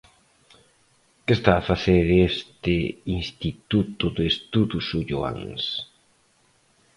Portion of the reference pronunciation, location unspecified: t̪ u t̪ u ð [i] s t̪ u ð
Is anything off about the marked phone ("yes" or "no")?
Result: yes